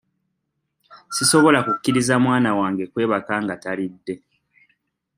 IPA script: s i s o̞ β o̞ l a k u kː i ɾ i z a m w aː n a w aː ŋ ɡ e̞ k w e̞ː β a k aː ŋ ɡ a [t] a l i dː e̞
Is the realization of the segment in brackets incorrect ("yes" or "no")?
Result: no